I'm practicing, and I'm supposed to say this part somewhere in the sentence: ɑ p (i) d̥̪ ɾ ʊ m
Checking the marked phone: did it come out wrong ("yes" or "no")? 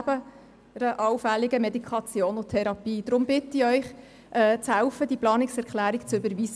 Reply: yes